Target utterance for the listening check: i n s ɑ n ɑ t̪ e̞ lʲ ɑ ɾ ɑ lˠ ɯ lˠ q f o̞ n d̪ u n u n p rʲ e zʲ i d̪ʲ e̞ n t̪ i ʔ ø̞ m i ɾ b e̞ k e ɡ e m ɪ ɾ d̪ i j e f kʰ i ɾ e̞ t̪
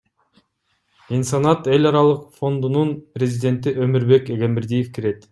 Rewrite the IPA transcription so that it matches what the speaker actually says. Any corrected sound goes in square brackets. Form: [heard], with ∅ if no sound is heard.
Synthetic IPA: i n s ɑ n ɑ t̪ e̞ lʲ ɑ ɾ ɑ lˠ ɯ [∅] q f o̞ n d̪ u n u n p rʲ e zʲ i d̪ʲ e̞ n t̪ i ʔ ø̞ m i ɾ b e̞ k e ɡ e m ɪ ɾ d̪ i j e f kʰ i ɾ e̞ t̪